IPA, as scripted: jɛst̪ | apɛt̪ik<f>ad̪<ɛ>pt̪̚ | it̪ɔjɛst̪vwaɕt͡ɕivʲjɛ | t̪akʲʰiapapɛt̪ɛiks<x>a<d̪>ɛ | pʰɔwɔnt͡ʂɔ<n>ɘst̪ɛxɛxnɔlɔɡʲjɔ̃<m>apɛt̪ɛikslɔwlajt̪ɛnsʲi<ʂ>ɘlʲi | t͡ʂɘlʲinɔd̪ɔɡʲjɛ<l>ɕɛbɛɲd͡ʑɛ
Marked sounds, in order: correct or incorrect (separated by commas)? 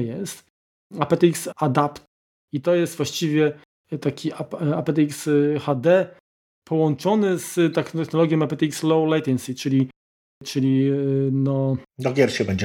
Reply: incorrect, incorrect, correct, correct, correct, correct, incorrect, incorrect